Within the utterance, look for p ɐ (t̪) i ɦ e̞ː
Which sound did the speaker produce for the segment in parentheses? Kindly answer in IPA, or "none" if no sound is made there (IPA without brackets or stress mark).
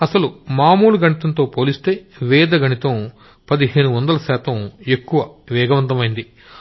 d̪